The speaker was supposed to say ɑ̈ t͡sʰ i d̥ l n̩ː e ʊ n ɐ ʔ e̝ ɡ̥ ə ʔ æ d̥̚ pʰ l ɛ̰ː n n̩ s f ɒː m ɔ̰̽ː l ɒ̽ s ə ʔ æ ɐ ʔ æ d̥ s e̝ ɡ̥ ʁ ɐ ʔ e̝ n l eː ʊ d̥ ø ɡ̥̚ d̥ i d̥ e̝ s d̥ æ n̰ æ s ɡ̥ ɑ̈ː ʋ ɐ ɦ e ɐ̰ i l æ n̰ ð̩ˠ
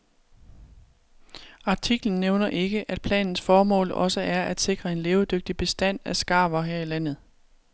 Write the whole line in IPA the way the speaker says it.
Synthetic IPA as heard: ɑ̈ t͡sʰ i ɡ̥ l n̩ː e ʊ n ɐ ʔ e̝ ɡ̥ ə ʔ æ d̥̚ pʰ l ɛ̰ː n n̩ s f ɒː m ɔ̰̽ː l ɒ̽ s ə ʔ æ ɐ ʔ æ d̥ s e̝ ɡ̥ ʁ ɐ e̝ n l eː ʊ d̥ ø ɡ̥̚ d̥ i b̥ e̝ s d̥ æ n̰ æ s ɡ̥ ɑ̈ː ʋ ɐ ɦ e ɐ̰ i l æ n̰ ð̩ˠ